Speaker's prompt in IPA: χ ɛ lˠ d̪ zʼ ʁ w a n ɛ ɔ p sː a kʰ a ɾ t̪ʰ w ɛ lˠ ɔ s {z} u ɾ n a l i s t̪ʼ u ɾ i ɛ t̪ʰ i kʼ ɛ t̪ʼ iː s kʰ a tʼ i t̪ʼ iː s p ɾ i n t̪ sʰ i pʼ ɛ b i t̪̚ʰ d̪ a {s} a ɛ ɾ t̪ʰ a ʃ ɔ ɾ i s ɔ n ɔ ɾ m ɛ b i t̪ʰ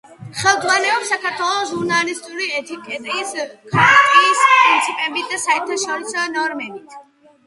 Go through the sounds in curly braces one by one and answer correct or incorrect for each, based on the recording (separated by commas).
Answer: incorrect, correct